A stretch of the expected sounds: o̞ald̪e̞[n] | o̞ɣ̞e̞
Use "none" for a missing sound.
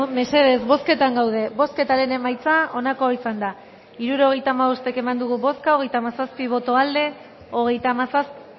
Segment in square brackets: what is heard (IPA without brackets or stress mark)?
none